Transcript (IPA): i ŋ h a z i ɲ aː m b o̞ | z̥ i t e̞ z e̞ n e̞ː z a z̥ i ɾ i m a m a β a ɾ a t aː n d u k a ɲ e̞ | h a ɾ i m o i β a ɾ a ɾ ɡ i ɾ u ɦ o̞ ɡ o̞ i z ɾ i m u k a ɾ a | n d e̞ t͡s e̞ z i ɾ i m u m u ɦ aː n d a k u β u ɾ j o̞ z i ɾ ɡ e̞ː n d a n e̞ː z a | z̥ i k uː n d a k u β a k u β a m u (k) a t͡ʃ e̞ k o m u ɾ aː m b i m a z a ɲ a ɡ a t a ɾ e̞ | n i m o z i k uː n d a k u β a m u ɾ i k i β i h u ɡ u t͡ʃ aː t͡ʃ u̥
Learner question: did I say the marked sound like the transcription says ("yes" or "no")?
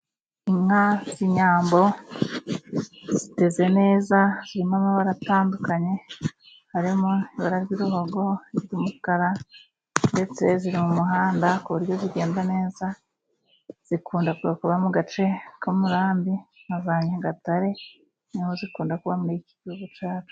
no